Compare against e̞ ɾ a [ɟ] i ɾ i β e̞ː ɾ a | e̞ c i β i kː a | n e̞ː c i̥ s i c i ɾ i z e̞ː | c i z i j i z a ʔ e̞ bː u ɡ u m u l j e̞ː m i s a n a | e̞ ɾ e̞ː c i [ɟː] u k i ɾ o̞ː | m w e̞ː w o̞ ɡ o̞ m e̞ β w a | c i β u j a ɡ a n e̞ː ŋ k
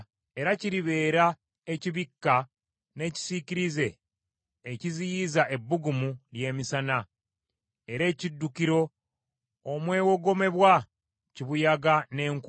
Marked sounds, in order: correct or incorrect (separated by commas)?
incorrect, incorrect